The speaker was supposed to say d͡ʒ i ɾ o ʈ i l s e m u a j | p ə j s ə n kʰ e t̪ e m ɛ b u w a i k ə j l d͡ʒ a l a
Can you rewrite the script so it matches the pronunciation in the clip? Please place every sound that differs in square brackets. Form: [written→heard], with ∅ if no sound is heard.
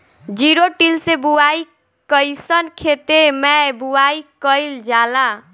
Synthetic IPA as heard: d͡ʒ i ɾ o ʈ i l s e [m→b] u a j | [p→k] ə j s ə n kʰ e t̪ e m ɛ b u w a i k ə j l d͡ʒ a l a